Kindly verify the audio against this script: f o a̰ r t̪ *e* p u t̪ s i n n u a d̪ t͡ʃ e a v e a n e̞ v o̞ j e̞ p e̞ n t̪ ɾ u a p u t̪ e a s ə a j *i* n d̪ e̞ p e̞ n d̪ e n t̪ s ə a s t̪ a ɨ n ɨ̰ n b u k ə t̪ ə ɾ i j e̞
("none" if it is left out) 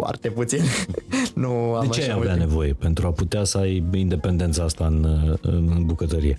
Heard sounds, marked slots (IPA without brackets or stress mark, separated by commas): e, i